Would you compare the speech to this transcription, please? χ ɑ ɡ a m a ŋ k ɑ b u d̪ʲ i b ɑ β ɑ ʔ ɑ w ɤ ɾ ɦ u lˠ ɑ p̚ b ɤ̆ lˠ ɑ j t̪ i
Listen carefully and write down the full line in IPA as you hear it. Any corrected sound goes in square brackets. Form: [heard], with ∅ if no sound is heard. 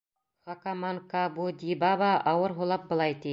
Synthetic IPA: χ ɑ [k] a m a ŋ k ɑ b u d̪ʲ i b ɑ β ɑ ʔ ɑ w ɤ ɾ ɦ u lˠ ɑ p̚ b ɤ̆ lˠ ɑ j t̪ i